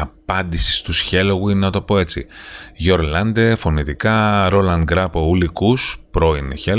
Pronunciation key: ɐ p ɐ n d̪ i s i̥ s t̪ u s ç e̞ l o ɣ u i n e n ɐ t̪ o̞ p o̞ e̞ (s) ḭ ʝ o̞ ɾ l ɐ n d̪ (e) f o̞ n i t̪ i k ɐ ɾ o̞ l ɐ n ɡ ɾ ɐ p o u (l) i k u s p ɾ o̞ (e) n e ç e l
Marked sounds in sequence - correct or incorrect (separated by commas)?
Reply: incorrect, correct, correct, incorrect